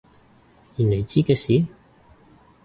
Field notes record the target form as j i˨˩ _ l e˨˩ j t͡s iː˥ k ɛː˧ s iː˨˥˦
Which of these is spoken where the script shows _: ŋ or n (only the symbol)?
n